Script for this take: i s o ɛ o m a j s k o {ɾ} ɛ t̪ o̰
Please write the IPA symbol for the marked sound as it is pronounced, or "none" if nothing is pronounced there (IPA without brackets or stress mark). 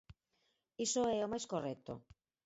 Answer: r